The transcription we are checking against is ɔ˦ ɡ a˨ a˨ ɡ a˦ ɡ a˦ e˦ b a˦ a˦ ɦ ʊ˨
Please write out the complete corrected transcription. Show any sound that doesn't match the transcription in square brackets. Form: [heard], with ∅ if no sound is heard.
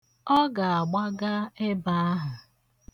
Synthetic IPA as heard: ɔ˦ ɡ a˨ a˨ [ɡ͡b] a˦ ɡ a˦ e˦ b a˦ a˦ ɦ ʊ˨